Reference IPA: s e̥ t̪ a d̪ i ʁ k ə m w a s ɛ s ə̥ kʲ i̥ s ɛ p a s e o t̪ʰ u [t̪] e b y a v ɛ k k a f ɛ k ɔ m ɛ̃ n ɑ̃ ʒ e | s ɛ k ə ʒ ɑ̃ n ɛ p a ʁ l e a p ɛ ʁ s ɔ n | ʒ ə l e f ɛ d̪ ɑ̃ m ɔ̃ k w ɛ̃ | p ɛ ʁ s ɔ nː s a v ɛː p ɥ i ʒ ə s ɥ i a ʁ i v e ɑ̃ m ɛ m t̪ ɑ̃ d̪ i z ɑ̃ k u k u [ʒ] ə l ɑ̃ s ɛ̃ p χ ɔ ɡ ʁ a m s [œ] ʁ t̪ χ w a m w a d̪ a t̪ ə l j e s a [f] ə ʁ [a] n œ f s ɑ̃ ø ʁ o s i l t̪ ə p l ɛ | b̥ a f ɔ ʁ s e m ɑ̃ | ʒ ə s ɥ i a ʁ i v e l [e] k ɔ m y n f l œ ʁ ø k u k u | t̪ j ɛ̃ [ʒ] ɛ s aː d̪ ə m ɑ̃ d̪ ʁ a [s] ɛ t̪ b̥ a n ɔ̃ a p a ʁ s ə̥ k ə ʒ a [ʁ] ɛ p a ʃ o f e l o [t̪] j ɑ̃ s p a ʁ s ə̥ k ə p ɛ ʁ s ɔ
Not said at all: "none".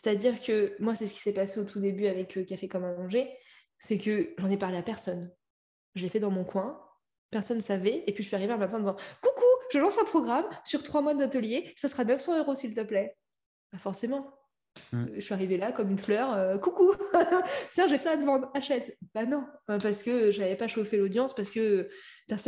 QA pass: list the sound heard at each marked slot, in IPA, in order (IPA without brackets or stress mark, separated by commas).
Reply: d̪, ʒ, y, s, a, a, ʒ, ʃ, v, d̪